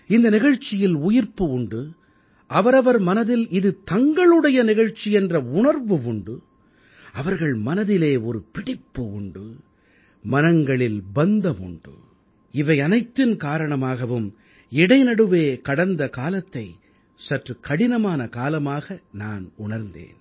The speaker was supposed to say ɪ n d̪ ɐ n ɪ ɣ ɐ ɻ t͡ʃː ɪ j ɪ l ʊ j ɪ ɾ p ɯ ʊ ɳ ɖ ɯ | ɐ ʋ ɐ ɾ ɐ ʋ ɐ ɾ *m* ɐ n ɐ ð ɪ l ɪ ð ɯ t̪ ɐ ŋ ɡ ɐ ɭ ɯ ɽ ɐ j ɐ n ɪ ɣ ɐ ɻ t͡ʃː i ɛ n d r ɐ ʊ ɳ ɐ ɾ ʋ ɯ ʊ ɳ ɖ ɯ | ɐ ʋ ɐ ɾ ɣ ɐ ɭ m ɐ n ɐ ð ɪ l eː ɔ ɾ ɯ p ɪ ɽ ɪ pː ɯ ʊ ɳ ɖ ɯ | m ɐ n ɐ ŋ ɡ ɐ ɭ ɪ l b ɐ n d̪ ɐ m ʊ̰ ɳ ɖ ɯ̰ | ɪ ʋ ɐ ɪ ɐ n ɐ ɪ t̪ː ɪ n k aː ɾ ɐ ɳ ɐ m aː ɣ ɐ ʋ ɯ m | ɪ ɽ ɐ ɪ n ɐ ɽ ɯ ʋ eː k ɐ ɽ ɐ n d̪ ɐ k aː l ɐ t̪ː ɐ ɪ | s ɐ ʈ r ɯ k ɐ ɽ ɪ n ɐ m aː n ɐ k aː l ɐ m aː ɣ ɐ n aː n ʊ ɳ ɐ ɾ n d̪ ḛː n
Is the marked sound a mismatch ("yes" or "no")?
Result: no